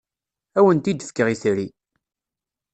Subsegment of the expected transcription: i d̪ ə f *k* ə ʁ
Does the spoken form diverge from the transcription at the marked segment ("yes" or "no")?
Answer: no